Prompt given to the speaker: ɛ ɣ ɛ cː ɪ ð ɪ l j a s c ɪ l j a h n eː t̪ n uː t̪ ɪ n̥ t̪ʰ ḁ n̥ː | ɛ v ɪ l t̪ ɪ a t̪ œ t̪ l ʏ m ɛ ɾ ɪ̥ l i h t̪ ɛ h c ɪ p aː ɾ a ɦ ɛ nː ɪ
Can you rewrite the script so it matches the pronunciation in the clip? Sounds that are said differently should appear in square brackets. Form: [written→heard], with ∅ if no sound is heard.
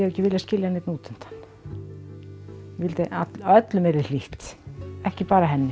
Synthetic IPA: ɛ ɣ ɛ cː ɪ [ð→v] ɪ l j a s c ɪ l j a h n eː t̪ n uː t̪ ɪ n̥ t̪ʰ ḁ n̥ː | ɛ v ɪ l t̪ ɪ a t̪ œ t̪ l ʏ m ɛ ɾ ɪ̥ l i h t̪ ɛ h c ɪ p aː ɾ a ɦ ɛ nː ɪ